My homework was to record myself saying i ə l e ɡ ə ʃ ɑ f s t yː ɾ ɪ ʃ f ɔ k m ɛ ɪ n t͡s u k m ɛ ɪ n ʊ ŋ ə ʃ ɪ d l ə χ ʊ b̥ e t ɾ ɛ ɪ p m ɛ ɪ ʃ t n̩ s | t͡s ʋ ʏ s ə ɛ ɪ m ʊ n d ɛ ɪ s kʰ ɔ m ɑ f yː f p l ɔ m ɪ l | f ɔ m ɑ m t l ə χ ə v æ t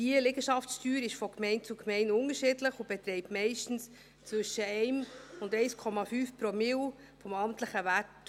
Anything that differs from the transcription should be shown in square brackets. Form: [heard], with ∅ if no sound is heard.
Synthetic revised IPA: i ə l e ɡ ə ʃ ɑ f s t yː ɾ ɪ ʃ f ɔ k m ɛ ɪ n t͡s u k m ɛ ɪ n ʊ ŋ ə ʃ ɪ d l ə χ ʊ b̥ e t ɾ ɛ ɪ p m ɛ ɪ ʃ t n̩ s | t͡s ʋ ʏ [ʃ] ə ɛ ɪ m ʊ n d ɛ ɪ s kʰ ɔ m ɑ f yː f p [ɾ] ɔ m ɪ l | f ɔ m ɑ m t l ə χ ə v æ t